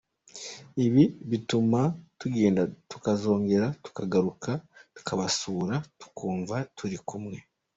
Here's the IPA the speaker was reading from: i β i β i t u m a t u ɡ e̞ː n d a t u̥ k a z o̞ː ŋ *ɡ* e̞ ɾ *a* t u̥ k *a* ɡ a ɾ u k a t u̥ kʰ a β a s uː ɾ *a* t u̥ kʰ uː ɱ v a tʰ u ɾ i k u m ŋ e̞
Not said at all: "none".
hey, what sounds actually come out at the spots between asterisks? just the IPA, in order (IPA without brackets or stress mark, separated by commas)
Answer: ɡ, a, a, a